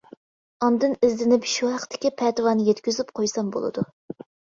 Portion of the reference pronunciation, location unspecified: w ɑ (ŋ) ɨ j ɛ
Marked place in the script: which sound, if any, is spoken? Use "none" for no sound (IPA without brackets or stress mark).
n